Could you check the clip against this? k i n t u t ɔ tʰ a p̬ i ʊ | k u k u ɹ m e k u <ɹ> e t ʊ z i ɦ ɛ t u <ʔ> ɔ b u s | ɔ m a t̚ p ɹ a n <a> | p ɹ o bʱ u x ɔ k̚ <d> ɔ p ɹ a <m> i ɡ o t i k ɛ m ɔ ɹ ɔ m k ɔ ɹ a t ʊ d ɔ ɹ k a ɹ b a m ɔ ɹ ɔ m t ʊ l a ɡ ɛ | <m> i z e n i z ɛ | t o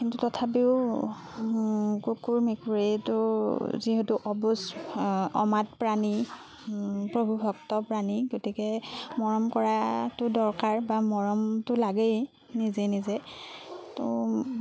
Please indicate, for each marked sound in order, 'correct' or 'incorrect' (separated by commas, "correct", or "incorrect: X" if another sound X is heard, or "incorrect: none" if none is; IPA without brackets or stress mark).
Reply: correct, correct, incorrect: i, incorrect: t, incorrect: n, incorrect: n